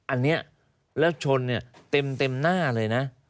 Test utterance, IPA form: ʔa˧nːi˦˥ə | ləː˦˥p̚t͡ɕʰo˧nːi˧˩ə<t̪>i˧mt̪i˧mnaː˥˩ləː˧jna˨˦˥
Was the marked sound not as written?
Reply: no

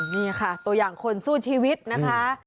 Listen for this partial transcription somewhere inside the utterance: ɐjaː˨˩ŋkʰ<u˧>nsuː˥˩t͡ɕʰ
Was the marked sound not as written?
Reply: yes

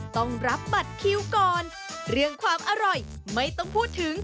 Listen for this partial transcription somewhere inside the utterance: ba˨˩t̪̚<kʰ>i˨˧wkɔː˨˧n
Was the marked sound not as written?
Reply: no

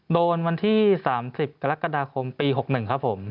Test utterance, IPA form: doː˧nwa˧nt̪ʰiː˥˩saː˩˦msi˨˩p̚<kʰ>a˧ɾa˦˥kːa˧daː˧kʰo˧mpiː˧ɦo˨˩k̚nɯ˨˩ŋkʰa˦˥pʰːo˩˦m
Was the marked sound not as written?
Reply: yes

